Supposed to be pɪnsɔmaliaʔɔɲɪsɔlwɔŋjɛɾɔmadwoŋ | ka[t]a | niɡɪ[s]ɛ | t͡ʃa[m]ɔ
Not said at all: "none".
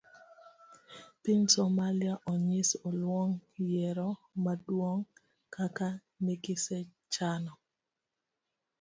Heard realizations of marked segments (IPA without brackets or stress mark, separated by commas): k, s, n